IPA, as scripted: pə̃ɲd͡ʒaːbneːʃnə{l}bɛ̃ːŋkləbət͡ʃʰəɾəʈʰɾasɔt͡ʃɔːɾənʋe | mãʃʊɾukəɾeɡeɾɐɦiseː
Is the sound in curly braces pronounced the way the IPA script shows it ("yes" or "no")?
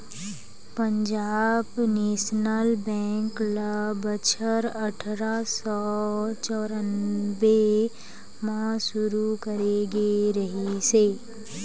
yes